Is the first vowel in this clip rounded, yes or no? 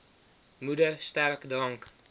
yes